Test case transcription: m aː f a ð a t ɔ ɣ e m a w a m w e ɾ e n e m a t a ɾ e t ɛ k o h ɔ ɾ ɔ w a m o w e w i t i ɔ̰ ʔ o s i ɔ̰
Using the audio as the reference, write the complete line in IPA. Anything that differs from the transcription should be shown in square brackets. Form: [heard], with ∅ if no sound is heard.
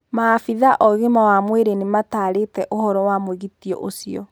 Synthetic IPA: m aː f [i] ð a [ʔ] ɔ ɣ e m a w a m w e ɾ e n e m a t a ɾ e t ɛ [ʔ] o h ɔ ɾ ɔ w a m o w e [ɣ] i t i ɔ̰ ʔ o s i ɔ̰